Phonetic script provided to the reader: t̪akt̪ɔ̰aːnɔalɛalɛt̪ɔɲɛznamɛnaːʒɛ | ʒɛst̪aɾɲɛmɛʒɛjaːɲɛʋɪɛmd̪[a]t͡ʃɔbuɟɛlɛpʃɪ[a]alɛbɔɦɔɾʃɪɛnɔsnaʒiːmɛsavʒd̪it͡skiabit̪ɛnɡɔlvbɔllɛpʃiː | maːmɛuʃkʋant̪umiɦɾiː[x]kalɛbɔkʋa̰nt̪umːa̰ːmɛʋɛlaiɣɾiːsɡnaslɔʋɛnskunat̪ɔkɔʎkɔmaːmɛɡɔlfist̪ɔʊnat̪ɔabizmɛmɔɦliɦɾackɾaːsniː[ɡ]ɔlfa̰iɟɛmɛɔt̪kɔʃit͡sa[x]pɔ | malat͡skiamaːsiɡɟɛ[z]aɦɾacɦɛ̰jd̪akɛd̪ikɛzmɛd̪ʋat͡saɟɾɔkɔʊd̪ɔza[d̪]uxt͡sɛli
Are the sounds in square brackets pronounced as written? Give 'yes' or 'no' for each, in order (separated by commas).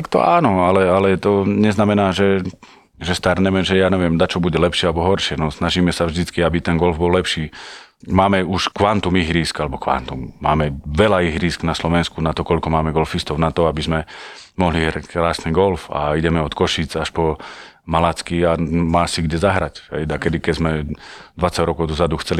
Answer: yes, no, no, yes, no, yes, yes